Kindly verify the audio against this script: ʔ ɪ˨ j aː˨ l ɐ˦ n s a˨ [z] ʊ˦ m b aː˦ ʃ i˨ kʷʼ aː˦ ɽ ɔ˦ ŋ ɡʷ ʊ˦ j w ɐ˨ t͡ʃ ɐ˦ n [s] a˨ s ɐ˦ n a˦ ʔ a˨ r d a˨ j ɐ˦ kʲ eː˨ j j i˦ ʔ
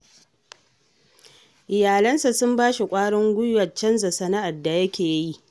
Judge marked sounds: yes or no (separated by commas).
no, no